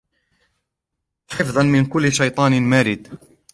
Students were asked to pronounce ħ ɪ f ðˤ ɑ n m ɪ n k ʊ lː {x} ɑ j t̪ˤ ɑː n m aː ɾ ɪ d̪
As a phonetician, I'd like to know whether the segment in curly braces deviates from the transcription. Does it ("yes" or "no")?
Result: yes